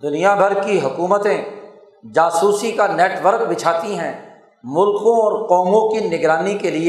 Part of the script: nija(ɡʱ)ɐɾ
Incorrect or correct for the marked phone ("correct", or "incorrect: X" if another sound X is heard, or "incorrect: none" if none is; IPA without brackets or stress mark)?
incorrect: bʱ